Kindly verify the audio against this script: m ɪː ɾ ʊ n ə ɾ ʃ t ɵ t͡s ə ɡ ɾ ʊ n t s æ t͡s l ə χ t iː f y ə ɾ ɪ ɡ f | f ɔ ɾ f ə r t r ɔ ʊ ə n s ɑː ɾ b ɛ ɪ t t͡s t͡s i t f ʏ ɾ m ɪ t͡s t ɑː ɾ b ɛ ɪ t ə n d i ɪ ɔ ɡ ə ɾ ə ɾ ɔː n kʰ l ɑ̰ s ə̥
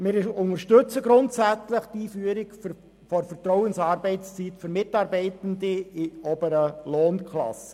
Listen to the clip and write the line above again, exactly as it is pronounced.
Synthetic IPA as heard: m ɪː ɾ ʊ n ə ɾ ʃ t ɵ t͡s ə ɡ ɾ ʊ n t s æ t͡s l ə χ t iː f y ə ɾ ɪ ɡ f | f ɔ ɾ f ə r t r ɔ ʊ ə n s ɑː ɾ b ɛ ɪ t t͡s t͡s i t f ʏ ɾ m ɪ t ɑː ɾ b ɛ ɪ t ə n d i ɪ ɔ b ə ɾ ə l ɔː n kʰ l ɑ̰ s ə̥